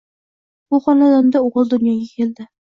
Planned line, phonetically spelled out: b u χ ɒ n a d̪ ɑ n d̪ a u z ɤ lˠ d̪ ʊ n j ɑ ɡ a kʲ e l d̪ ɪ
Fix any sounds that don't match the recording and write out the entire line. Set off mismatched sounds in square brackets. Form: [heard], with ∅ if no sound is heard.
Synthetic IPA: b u χ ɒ n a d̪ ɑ n d̪ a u [ʁ] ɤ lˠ d̪ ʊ n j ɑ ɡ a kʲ e l d̪ ɪ